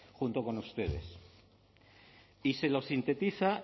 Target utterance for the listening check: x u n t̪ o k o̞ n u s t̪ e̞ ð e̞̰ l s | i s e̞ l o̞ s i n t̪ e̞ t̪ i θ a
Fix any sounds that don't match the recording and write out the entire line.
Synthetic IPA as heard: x u n t̪ o k o̞ n u s t̪ e̞ ð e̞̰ s | i s e̞ l o̞ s i n t̪ e̞ t̪ i θ a